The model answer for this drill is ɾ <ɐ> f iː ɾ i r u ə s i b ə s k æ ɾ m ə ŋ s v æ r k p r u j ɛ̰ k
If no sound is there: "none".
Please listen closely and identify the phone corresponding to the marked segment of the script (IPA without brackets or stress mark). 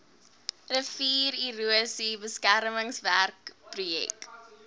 ə